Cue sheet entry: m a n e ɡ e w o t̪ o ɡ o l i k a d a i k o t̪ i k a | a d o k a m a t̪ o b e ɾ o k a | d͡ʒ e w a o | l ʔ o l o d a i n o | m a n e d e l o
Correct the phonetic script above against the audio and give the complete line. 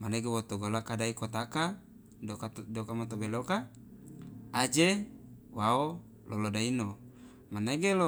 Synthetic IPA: m a n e ɡ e w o t̪ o ɡ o l a k a d a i k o t̪ a k a | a d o k a m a t̪ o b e l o k a | d͡ʒ e w a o | l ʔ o l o d a i n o | m a n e ɡ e l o